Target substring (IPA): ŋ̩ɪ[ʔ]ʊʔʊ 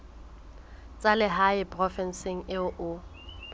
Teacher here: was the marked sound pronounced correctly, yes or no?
no